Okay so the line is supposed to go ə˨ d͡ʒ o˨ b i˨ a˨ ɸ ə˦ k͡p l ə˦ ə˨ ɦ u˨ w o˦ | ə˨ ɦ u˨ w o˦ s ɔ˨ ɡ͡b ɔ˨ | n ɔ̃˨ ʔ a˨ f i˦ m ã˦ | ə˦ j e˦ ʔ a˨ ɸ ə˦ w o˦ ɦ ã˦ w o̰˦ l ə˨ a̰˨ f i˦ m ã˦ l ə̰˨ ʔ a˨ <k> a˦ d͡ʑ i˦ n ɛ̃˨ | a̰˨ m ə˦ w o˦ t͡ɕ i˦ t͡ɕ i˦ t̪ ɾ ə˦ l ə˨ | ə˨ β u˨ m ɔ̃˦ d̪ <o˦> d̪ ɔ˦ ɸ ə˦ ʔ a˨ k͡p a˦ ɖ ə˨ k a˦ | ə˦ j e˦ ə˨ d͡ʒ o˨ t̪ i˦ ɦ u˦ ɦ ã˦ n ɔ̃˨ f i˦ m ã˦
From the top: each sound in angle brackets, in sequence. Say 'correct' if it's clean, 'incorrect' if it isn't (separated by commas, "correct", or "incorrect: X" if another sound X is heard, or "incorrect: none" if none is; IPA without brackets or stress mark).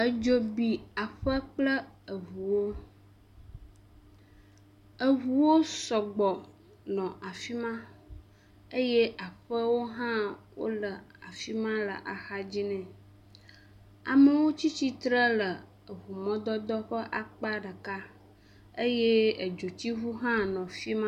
incorrect: x, incorrect: ɔ˦